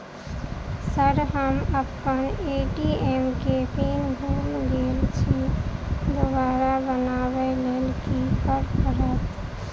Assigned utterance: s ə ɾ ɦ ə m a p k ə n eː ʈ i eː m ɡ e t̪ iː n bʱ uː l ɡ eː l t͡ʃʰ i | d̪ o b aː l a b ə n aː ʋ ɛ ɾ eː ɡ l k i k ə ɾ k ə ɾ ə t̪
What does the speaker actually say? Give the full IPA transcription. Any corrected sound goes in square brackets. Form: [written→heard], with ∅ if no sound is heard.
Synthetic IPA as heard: s ə ɾ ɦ ə m [a→ə] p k ə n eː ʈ i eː m [ɡ→k] e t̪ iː n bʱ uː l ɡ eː l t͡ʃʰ i | d̪ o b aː [l→ɾ] a b ə n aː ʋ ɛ [ɾ→l] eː [ɡ→∅] l k i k ə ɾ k ə ɾ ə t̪